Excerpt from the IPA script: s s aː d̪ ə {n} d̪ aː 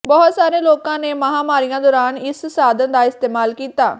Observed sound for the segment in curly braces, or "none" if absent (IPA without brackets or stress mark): n